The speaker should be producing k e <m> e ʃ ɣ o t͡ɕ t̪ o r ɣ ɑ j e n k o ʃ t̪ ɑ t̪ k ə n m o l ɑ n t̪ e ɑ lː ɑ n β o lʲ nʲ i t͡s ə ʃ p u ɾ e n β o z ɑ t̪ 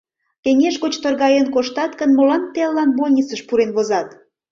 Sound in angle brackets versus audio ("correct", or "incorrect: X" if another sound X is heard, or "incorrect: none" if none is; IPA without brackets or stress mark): incorrect: ŋ